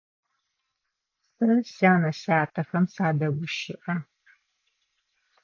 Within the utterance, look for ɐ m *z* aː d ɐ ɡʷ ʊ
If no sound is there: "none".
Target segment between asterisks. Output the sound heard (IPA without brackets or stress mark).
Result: s